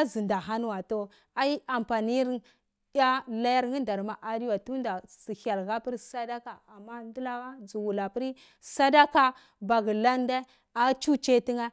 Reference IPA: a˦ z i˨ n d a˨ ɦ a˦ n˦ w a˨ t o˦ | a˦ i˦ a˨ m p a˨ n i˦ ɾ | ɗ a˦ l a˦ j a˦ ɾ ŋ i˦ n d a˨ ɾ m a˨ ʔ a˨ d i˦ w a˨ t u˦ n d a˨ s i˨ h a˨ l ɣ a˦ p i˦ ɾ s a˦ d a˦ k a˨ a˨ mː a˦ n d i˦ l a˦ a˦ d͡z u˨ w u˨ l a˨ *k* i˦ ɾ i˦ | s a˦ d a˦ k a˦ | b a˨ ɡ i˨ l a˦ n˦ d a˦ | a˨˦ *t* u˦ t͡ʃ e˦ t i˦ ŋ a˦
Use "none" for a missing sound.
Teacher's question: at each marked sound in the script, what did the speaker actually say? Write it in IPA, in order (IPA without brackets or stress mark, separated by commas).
p, t͡ʃ